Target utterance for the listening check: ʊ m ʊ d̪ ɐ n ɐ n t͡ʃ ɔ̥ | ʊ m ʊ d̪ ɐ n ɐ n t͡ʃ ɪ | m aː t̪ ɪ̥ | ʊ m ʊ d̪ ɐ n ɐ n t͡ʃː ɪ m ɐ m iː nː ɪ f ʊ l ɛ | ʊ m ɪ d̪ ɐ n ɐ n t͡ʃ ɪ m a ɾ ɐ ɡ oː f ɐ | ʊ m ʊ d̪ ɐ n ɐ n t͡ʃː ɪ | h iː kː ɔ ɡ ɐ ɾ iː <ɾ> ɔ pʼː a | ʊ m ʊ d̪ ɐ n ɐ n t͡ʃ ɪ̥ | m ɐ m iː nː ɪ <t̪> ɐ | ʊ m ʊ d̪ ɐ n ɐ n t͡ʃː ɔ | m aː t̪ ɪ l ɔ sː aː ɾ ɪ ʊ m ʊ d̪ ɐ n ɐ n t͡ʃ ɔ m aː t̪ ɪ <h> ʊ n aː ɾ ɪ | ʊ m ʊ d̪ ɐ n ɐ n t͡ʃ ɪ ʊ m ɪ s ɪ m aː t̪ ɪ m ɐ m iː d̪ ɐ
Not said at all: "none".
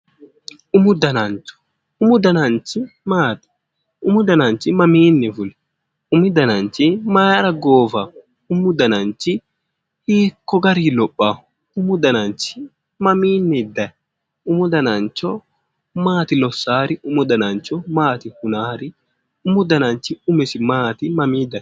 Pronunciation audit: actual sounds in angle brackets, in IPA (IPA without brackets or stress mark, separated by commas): l, d̪, h